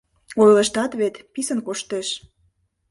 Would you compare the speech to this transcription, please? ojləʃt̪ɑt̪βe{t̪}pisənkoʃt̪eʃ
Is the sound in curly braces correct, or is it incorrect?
correct